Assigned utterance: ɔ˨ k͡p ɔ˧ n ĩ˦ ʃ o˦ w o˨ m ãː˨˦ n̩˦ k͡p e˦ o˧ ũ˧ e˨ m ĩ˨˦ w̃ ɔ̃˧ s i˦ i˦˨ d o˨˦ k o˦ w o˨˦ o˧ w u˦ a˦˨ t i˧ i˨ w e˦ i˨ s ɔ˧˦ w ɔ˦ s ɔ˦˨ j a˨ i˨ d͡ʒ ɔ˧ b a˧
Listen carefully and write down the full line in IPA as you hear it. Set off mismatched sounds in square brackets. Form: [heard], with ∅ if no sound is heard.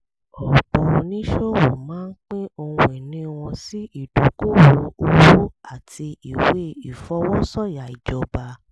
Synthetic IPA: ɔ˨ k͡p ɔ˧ n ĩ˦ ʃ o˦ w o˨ m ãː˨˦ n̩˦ k͡p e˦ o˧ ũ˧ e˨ [n] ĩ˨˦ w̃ ɔ̃˧ s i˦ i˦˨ d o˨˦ k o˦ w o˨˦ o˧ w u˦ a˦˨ t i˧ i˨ w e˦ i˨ [f] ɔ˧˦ w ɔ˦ s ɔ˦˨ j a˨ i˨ d͡ʒ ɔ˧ b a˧